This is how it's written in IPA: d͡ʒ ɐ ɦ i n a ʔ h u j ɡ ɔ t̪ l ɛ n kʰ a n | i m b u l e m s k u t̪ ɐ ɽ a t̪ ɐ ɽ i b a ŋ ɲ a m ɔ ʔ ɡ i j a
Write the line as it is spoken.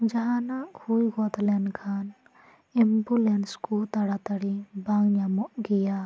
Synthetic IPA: d͡ʒ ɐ ɦ a n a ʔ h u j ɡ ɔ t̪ l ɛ n kʰ a n | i m b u l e n s k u t̪ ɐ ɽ a t̪ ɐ ɽ i b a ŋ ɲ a m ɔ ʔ ɡ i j a